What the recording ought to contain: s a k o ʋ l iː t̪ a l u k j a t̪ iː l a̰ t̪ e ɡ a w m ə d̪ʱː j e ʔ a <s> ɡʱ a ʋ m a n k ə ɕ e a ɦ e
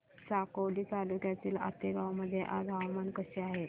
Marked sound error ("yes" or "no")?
yes